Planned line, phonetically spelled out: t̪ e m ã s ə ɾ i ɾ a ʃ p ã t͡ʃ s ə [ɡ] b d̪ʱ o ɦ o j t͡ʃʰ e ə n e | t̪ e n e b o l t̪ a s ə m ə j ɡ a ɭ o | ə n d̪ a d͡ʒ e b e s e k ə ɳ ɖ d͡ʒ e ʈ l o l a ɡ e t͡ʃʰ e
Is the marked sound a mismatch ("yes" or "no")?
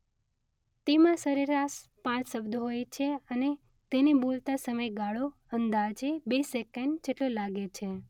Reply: yes